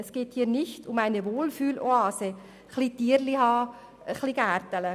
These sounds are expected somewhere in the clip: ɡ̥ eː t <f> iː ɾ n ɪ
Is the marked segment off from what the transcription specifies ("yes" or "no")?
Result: yes